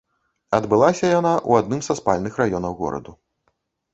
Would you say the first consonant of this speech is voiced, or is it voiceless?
voiced